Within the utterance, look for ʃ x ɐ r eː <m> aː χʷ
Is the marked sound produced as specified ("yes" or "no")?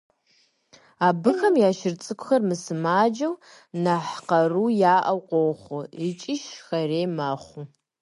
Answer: yes